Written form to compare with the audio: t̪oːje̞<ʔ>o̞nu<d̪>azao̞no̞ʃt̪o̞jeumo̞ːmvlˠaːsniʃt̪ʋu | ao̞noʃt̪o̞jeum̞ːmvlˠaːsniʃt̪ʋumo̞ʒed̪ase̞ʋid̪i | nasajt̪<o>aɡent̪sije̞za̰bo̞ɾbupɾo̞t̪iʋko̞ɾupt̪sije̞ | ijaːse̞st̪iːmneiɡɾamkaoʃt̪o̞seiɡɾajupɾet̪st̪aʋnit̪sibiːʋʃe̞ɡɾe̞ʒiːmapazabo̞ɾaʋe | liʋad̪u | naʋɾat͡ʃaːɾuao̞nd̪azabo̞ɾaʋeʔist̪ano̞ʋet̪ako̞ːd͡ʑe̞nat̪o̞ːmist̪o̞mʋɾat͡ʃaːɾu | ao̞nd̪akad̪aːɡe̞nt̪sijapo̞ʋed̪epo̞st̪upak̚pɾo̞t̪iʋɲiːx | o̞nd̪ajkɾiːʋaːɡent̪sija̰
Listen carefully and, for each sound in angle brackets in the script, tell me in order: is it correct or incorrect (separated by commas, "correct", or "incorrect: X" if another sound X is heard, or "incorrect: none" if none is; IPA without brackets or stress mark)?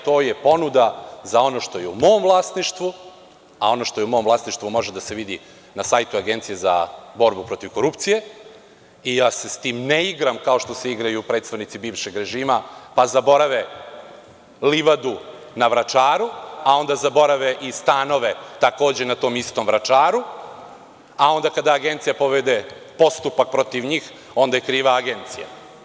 incorrect: p, correct, incorrect: u